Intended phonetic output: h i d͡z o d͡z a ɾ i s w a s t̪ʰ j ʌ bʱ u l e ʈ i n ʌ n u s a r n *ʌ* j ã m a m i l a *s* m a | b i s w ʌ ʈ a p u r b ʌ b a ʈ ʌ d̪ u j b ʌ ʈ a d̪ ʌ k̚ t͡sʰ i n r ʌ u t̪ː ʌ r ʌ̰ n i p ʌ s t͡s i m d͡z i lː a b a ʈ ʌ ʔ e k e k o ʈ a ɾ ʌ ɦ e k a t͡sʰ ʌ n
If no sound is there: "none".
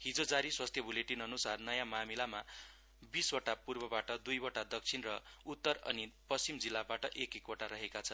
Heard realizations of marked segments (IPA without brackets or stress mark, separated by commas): ʌ, none